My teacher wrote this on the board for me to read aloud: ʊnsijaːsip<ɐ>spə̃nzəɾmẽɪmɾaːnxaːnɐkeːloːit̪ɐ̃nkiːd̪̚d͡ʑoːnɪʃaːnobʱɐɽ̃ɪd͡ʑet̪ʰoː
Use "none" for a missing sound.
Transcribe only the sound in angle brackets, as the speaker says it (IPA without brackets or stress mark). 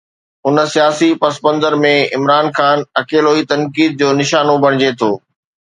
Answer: ɐ